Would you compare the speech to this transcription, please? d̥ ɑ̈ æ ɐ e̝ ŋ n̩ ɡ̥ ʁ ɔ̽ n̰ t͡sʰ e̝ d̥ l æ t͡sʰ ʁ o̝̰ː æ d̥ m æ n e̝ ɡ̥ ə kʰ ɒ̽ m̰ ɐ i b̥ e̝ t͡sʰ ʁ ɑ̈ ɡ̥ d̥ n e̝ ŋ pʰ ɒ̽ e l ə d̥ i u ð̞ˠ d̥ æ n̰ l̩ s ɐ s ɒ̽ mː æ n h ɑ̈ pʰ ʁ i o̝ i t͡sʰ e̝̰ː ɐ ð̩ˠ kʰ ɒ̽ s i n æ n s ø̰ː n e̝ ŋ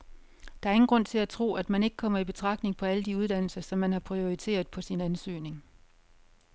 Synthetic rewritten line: d̥ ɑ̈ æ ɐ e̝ ŋ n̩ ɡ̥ ʁ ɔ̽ n̰ t͡sʰ e̝ l æ t͡sʰ ʁ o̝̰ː æ d̥ m æ n e̝ ɡ̥ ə kʰ ɒ̽ m̰ ɐ i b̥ e̝ t͡sʰ ʁ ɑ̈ ɡ̥ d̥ n e̝ ŋ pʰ ɒ̽ æ l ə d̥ i u ð̞ˠ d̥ æ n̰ l̩ s ɐ s ɒ̽ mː æ n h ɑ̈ pʰ ʁ i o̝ i t͡sʰ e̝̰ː ɐ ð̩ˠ pʰ ɒ̽ s i n æ n s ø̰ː n e̝ ŋ